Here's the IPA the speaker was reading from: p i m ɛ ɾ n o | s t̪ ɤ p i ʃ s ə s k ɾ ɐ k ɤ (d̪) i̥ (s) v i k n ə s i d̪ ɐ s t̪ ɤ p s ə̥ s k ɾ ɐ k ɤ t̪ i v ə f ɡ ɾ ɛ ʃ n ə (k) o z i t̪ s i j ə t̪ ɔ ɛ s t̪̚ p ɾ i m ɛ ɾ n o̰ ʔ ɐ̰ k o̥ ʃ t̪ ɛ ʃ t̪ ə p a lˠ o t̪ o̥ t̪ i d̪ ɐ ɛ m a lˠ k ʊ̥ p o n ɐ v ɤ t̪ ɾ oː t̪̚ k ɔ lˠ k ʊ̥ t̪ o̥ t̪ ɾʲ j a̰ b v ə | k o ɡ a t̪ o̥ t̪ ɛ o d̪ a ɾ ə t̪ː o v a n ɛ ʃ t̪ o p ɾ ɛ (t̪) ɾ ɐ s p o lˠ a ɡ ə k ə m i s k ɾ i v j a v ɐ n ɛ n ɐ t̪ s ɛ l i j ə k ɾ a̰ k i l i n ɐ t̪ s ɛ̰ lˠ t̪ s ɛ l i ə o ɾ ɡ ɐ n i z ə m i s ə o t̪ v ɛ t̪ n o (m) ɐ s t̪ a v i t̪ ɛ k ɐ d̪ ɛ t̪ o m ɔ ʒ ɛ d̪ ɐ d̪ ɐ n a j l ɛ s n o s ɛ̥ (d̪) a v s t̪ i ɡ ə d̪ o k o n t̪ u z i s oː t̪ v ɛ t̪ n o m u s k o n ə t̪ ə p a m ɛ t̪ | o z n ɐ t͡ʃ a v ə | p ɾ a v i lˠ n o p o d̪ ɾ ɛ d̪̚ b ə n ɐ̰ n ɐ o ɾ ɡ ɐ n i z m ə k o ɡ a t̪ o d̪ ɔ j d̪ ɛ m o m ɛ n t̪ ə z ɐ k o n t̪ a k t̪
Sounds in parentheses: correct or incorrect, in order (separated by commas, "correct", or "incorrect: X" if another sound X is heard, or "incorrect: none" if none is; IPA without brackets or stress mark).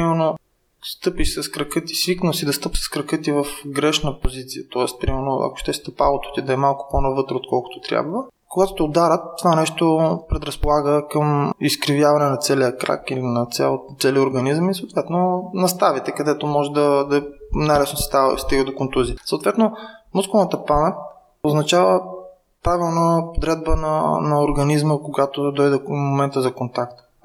incorrect: t̪, correct, incorrect: p, incorrect: d̪, incorrect: n, incorrect: t̪